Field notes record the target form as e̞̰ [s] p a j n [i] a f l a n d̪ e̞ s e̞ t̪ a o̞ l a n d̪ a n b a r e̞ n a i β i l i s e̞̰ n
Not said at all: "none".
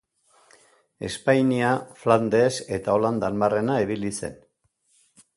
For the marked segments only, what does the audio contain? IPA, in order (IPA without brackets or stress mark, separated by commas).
s, i